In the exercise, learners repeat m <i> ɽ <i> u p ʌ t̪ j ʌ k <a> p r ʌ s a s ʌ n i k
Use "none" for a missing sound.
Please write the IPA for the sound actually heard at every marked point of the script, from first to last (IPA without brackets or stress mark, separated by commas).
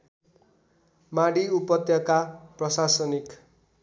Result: a, i, a